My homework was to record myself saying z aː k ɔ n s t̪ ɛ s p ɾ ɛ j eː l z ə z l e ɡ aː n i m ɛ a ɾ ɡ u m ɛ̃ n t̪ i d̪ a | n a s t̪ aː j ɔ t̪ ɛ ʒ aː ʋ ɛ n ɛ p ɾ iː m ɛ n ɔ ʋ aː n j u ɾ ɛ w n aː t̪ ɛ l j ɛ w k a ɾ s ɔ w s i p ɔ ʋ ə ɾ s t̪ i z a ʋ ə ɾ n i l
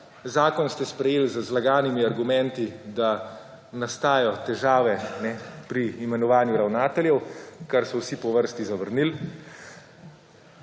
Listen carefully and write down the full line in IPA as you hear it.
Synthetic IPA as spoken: z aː k ɔ n s t̪ ɛ s p ɾ ɛ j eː l z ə z l a ɡ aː n i m i a ɾ ɡ u m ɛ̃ n t̪ i d̪ a | n a s t̪ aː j ɔ t̪ ɛ ʒ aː ʋ ɛ n ɛ p ɾ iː m ɛ n ɔ ʋ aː n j u ɾ a w n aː t̪ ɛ l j ɛ w k a ɾ s ɔ w s i p ɔ ʋ ə ɾ s t̪ i z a ʋ ə ɾ n i l